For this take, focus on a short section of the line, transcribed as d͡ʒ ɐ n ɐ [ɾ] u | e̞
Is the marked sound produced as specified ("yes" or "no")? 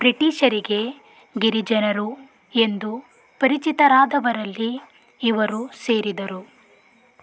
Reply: yes